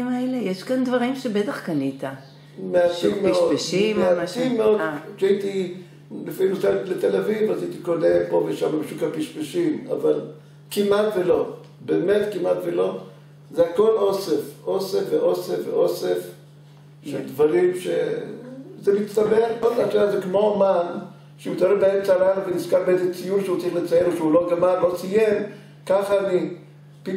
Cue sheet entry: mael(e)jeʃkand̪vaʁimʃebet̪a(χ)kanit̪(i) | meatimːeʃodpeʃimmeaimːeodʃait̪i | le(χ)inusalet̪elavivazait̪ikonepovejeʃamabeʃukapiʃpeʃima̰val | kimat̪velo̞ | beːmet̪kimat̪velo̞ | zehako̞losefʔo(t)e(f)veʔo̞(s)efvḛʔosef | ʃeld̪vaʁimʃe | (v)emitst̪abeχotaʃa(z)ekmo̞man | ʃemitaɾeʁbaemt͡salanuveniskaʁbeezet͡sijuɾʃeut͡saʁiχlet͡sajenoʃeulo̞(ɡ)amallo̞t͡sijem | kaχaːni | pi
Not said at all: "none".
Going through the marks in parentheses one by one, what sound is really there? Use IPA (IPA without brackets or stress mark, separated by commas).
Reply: e, χ, a, f, s, f, s, z, z, ɡ